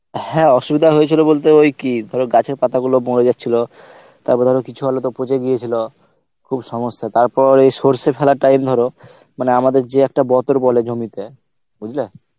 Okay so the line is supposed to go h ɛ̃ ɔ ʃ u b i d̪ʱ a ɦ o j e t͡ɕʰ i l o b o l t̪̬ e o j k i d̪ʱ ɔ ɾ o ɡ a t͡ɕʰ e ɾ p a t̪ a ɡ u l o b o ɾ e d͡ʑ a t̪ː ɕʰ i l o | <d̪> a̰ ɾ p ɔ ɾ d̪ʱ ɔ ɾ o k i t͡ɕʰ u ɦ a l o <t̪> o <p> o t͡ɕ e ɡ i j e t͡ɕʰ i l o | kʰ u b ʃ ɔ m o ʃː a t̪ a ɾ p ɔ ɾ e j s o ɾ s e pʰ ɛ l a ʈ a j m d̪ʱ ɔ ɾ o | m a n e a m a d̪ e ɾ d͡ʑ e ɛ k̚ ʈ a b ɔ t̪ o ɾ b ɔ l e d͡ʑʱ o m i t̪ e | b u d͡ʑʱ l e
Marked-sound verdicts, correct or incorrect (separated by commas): incorrect, correct, correct